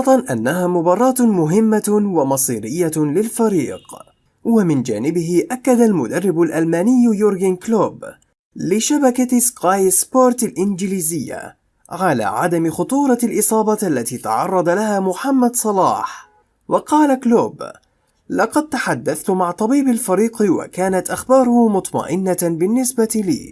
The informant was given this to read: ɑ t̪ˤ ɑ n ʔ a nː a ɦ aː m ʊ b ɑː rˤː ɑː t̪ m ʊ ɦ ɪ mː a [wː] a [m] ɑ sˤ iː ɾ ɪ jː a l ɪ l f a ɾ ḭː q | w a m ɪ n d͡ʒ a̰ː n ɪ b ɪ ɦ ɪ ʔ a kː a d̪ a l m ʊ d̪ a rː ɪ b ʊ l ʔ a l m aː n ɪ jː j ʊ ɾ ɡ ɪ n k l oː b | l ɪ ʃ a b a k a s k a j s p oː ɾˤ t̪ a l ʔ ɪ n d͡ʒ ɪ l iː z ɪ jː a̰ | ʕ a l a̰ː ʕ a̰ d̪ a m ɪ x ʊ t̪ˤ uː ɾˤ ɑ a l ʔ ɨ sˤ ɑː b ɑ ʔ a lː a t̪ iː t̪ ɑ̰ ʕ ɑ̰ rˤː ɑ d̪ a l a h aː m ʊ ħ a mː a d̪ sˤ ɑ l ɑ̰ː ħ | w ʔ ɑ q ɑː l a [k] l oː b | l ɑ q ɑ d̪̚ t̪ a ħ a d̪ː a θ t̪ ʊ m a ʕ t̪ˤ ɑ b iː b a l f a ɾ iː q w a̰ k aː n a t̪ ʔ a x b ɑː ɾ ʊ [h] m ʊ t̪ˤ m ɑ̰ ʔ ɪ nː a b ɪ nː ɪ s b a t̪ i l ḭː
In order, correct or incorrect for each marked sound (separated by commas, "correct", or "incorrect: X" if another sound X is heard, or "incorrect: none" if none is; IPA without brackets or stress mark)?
incorrect: w, correct, correct, correct